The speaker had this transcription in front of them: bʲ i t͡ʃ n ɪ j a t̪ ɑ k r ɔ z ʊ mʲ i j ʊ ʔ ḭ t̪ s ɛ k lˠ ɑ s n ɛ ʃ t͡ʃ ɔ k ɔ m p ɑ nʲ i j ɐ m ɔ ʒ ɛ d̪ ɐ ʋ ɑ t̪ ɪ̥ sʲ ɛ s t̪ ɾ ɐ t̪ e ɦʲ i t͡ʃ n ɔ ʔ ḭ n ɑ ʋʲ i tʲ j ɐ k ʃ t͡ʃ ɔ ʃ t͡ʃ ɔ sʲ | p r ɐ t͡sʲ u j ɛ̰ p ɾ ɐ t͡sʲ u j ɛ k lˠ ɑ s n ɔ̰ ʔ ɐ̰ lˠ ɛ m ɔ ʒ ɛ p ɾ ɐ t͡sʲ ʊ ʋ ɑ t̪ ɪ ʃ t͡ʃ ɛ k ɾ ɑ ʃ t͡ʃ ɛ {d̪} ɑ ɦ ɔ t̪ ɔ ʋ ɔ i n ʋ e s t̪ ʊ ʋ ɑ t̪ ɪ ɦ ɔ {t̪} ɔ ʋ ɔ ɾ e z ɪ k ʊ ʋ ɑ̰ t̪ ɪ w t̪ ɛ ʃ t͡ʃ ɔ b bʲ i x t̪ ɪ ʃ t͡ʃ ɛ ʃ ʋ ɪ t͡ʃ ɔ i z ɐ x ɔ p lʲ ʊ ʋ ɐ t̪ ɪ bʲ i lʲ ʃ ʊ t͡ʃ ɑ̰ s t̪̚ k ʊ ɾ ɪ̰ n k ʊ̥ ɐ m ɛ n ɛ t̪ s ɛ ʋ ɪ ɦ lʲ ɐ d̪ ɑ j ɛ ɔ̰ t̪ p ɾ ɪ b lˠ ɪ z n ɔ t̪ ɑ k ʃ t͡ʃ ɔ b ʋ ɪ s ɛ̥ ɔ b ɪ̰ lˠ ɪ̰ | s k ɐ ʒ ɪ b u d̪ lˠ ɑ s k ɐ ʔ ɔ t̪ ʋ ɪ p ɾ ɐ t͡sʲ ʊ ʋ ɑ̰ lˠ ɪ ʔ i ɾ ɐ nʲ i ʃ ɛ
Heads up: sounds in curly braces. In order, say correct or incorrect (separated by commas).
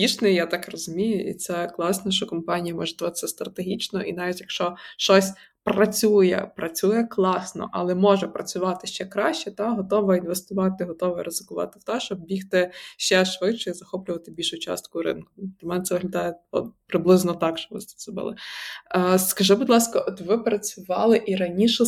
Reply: incorrect, correct